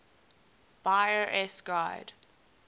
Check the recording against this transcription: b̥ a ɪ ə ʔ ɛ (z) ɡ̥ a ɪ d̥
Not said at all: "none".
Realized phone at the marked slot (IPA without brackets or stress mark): s